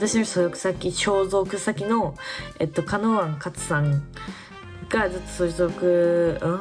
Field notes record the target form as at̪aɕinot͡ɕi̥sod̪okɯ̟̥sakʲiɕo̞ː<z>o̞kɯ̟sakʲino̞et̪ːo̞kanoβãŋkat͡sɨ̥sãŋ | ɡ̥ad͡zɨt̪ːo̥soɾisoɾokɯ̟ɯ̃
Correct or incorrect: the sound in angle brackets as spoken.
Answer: correct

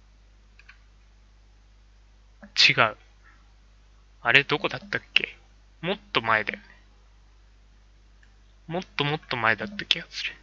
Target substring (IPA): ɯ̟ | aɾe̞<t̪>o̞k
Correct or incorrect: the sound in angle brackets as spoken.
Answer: incorrect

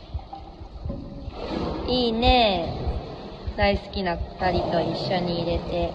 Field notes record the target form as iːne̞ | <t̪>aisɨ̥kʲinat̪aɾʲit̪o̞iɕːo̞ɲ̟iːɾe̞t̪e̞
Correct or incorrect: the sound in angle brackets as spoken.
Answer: incorrect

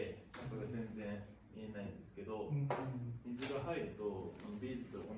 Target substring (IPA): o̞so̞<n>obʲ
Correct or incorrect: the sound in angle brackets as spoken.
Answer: correct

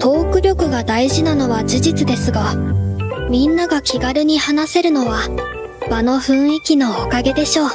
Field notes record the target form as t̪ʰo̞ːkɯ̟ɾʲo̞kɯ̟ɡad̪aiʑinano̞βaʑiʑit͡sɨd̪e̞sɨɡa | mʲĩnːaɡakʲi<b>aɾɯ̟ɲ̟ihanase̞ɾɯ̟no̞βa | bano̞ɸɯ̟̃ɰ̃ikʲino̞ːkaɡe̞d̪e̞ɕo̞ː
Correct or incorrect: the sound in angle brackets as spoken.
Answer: incorrect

